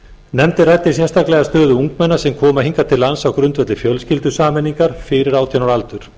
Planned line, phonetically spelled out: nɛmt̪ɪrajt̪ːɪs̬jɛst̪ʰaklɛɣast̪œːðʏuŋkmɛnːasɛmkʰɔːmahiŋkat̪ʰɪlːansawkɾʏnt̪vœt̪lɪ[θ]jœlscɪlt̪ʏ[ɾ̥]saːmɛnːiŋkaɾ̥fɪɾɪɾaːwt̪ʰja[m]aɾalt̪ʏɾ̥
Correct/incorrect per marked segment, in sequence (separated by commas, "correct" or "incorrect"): incorrect, incorrect, incorrect